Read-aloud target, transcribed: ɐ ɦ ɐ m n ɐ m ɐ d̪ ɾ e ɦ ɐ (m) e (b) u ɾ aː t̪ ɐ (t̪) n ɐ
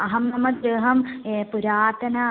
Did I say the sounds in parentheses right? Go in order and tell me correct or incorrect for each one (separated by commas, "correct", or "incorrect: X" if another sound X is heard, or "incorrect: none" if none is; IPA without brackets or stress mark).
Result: correct, incorrect: p, incorrect: none